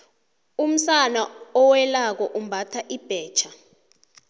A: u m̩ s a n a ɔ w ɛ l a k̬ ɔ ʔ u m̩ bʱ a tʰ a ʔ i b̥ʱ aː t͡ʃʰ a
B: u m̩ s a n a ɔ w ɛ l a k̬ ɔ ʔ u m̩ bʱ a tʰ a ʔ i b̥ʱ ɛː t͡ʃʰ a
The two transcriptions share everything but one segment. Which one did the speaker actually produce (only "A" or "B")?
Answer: B